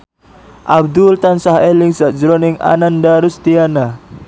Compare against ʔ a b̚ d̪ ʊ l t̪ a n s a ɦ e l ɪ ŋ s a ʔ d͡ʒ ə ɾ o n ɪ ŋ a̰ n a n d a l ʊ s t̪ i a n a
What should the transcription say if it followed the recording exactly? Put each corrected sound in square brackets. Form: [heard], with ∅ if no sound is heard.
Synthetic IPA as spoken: ʔ a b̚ d̪ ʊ l t̪ a n s a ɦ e l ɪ ŋ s a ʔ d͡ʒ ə ɾ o n ɪ ŋ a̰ n a n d a [ɾ] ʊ s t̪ i a n a

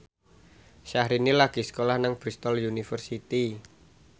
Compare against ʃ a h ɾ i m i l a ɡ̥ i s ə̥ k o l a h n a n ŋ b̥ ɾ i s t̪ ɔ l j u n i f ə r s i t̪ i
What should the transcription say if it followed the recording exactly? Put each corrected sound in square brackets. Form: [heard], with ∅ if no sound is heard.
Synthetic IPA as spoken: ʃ a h ɾ i [n] i l a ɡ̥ i s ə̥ k o l a h n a [∅] ŋ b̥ ɾ i s t̪ ɔ l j u n i f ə r s i t̪ i

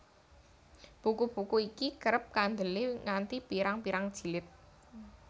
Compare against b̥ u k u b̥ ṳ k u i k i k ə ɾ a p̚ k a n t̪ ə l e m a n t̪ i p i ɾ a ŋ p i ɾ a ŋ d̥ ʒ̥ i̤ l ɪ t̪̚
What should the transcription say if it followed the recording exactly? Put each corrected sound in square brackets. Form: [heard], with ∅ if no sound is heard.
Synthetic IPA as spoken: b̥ u k u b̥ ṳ k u i k i k ə ɾ [ə] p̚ k a n [d̪] ə l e [ŋ] a n t̪ i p i ɾ a ŋ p i ɾ a ŋ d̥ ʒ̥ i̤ l ɪ t̪̚

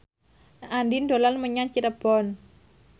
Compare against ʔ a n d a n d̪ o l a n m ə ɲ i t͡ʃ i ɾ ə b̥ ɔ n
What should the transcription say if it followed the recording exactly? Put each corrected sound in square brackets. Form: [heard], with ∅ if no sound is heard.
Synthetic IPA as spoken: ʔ a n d [i] n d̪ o l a n m ə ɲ [a] t͡ʃ i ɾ ə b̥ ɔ n

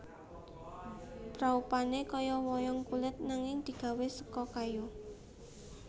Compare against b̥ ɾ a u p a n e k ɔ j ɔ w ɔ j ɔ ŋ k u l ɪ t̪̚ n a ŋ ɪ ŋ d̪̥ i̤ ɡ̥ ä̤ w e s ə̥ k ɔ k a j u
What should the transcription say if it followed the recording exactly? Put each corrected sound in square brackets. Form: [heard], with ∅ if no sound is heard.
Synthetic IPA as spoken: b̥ ɾ a u p a n e k ɔ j ɔ w ɔ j ɔ ŋ k u l ɪ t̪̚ n a ŋ ɪ ŋ d̪̥ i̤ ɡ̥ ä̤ w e s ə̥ k ɔ k a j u

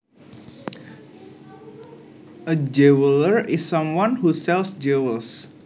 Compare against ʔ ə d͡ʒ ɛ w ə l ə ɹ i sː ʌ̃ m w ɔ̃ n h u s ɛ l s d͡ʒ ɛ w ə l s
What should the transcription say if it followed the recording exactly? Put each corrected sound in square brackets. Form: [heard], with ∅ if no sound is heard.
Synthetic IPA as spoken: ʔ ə d͡ʒ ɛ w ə l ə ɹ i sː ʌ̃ m w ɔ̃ n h u s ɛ l s d͡ʒ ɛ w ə l s

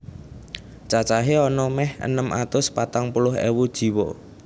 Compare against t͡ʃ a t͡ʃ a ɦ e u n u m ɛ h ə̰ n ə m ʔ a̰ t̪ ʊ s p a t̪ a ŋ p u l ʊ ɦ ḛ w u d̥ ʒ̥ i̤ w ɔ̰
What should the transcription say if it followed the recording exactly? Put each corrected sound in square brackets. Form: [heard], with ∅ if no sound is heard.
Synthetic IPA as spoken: t͡ʃ a t͡ʃ a ɦ e [ɔ] n [ɔ] m ɛ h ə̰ n ə m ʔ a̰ t̪ ʊ s p a t̪ a ŋ p u l ʊ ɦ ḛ w u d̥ ʒ̥ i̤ w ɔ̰

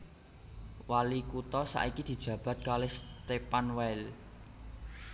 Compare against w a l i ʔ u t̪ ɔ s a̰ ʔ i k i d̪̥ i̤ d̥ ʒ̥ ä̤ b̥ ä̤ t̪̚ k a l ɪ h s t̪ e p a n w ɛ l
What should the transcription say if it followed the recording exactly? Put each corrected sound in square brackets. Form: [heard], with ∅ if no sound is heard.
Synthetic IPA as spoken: w a l i [k] u t̪ ɔ s a̰ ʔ i k i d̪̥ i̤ d̥ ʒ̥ ä̤ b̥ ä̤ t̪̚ k a l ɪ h s t̪ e p a n w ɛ l

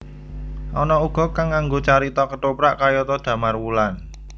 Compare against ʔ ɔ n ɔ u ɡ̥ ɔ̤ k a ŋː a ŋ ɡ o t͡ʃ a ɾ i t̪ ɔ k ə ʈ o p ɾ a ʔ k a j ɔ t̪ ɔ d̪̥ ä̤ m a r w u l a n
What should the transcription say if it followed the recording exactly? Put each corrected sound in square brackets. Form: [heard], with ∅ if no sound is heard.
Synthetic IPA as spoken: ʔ ɔ n ɔ u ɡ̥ ɔ̤ k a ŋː a ŋ ɡ o t͡ʃ a ɾ i t̪ ɔ k ə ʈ o p ɾ a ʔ k a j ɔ t̪ ɔ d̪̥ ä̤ m a r w u l a n

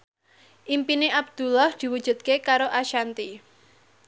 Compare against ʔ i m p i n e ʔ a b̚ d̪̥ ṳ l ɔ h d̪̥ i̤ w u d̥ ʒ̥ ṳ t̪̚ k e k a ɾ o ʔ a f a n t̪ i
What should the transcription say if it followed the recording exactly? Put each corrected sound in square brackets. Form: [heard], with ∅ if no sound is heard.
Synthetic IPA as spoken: ʔ i m p i n e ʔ a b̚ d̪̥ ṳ l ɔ h d̪̥ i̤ w u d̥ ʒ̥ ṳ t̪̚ k e k a ɾ o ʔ a [ʃ] a n t̪ i

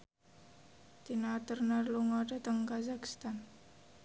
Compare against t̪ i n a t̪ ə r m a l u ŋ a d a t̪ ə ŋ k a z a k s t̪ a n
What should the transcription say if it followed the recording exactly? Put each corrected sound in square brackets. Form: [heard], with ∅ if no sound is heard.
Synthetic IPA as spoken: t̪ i n a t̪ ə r [n] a l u ŋ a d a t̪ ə ŋ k a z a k s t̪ a n

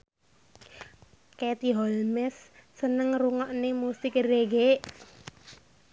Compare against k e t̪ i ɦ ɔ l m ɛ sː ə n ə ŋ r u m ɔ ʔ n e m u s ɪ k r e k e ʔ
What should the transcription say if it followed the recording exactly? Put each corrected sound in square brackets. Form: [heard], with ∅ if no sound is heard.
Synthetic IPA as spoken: k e t̪ i ɦ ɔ l m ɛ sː ə n ə ŋ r u [ŋ] ɔ ʔ n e m u s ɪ k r e [ɡ] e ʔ

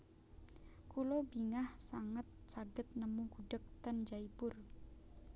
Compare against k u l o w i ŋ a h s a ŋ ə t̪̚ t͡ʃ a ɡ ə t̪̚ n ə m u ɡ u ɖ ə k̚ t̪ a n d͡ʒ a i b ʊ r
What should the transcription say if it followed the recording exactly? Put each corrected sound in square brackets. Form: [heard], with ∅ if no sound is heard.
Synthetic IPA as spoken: k u l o [b] i ŋ a h s a ŋ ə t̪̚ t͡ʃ a ɡ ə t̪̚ n ə m u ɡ u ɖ ə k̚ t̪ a n d͡ʒ a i b ʊ r

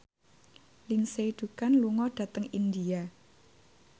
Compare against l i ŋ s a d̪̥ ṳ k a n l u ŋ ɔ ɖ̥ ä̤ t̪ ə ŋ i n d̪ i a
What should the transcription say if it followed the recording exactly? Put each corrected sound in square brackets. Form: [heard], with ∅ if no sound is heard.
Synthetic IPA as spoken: l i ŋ s [e] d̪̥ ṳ k a n l u ŋ ɔ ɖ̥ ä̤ t̪ ə ŋ i n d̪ i a

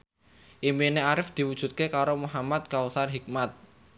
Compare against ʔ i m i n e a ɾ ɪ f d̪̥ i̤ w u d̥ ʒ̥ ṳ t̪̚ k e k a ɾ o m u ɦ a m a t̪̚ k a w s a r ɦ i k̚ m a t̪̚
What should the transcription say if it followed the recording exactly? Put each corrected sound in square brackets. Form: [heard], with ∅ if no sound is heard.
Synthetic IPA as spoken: ʔ i m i n e a ɾ ɪ f d̪̥ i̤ w u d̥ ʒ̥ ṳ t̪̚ k e k a ɾ o m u ɦ a m a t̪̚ k a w s a r ɦ i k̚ m a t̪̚

